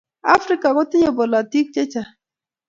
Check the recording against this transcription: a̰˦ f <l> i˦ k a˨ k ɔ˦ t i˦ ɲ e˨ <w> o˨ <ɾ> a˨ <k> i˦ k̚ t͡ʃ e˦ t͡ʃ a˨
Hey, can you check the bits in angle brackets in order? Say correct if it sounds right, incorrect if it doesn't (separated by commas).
incorrect, incorrect, incorrect, incorrect